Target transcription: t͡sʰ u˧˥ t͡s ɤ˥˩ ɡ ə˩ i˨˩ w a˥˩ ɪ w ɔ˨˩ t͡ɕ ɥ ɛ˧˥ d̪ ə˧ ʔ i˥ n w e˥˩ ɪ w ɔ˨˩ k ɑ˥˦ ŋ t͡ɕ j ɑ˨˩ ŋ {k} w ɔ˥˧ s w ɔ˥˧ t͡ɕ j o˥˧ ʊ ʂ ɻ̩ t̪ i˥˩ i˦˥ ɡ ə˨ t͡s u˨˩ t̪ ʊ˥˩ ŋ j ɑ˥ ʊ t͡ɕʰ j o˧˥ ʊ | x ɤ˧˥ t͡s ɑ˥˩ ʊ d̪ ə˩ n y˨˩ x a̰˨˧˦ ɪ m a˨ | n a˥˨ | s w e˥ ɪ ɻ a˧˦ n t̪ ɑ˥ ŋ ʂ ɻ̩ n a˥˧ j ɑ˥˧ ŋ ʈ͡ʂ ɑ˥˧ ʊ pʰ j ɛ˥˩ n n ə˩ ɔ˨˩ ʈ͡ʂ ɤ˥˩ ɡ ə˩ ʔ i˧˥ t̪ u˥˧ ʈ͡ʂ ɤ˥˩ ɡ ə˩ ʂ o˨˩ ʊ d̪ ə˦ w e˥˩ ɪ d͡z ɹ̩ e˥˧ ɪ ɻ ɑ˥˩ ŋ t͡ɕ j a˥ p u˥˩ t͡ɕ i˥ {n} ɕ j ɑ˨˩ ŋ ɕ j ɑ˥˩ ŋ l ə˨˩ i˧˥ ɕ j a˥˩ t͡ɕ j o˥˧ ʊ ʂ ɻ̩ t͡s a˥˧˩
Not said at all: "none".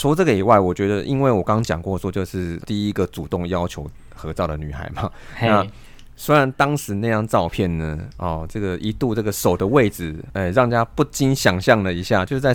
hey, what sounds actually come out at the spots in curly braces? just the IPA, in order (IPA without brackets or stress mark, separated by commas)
k, n